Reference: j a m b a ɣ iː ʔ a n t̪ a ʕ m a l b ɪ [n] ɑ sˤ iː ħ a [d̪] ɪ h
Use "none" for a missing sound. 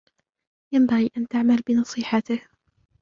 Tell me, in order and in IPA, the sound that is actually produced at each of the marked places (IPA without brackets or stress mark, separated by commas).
n, t̪